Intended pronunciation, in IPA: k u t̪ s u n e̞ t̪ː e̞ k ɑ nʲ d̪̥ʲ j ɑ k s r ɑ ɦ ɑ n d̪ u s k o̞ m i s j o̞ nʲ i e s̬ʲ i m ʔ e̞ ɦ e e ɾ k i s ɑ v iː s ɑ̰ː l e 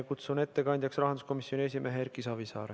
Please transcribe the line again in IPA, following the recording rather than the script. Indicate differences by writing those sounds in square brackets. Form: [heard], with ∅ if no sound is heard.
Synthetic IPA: k u t̪ s u n e̞ t̪ː e̞ k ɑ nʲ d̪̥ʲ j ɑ k s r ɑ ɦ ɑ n d̪ u s k o̞ m i s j o̞ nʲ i e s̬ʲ i m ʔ e̞ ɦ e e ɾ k i s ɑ v [i] s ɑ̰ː [ɾ] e